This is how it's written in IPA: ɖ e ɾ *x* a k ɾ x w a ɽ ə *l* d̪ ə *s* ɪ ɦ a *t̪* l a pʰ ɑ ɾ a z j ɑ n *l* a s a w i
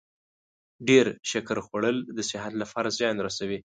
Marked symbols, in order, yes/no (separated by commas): no, yes, yes, yes, no